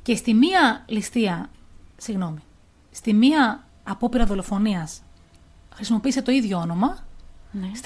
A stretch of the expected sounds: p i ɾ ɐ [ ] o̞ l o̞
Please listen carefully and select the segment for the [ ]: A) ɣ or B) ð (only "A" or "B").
B